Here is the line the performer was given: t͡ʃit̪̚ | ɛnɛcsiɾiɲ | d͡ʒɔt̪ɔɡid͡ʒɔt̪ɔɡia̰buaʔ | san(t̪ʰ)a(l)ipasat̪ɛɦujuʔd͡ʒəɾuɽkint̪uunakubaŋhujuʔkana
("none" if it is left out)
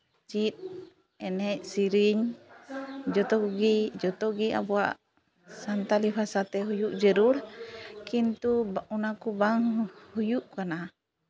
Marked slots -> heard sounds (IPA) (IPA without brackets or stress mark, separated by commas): t̪, l